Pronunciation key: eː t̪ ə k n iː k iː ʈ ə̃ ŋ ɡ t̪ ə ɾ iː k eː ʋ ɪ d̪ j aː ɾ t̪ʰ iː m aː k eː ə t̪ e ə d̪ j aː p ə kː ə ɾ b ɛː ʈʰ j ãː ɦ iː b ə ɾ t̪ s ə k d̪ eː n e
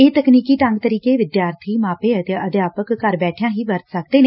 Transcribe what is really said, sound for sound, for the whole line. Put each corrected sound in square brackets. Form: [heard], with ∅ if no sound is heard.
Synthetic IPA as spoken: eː t̪ ə k n iː k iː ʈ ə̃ ŋ ɡ t̪ ə ɾ iː k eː ʋ ɪ d̪ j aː ɾ t̪ʰ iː m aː [p] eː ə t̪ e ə d̪ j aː p ə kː ə ɾ b ɛː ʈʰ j ãː ɦ iː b ə ɾ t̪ s ə k d̪ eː n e